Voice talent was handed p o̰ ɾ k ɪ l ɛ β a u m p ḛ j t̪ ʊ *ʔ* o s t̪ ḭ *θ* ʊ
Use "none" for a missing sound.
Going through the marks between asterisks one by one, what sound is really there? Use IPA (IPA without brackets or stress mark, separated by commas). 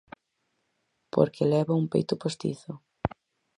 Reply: p, θ